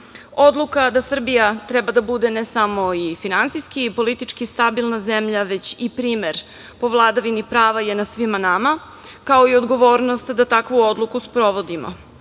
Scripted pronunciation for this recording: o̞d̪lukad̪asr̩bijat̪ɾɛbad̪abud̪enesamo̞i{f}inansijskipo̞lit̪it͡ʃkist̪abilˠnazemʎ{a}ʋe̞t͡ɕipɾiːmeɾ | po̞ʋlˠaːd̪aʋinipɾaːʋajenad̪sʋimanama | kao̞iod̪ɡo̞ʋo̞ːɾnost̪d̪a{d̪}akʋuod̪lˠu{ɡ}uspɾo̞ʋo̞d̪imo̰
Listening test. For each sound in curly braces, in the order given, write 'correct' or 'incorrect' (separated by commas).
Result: correct, correct, incorrect, incorrect